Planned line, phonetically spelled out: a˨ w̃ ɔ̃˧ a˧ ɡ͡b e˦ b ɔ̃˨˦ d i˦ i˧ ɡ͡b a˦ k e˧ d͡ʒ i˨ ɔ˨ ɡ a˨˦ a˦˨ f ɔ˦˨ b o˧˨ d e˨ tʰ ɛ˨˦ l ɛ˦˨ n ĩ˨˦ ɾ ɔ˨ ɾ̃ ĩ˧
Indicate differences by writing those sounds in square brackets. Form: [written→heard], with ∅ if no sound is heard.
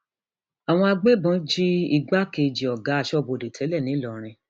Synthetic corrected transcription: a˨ w̃ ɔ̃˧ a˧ ɡ͡b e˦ b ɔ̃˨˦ [d→d͡ʒ] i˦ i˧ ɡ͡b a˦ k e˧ d͡ʒ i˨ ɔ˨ ɡ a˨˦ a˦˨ [f→ʃ] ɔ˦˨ b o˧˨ d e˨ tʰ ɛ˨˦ l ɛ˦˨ n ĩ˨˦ [ɾ→l] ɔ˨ ɾ̃ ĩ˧